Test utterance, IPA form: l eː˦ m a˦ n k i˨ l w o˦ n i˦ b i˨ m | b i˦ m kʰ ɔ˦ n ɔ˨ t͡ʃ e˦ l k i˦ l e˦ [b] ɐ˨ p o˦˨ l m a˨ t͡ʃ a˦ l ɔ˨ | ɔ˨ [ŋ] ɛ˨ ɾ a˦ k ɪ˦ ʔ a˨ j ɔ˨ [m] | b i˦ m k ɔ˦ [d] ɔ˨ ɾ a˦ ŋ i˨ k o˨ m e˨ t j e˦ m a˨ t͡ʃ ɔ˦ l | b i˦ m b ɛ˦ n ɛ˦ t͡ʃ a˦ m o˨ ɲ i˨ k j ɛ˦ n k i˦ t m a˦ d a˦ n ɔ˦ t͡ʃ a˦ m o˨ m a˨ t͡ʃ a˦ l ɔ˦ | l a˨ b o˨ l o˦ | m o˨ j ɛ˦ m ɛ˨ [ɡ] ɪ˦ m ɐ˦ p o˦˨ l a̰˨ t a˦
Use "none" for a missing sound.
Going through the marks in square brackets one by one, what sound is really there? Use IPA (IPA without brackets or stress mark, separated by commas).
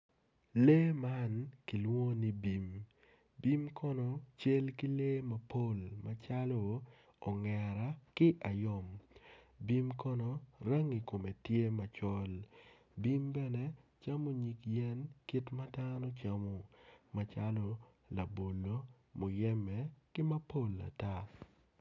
m, ŋ, m, n, k